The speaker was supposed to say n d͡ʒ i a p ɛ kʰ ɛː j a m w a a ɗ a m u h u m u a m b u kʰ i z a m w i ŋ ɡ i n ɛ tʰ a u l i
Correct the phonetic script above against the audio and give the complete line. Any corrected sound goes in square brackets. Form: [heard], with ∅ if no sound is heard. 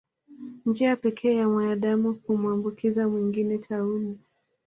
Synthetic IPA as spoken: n d͡ʒ i a p ɛ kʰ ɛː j a m w a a ɗ a m u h u m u a m b u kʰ i z a m w i ŋ ɡ i n ɛ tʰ a u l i